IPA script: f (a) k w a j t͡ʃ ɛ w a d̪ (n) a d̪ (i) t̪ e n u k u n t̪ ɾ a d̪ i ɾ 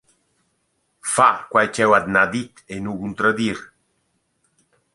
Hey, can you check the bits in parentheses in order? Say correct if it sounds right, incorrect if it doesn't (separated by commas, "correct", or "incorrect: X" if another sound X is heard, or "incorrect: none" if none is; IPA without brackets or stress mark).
correct, correct, correct